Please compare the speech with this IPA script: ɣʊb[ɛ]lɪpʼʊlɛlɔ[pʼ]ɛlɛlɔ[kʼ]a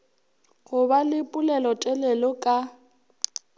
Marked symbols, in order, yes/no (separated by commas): no, no, yes